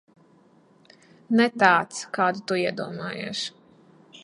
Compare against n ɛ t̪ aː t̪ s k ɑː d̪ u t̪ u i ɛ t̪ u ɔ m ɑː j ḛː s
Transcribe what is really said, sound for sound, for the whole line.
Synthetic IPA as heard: n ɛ t̪ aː t̪ s k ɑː d̪ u t̪ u i ɛ d̪ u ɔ m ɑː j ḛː ʃ